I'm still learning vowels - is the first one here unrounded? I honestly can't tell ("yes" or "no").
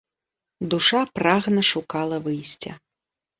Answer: no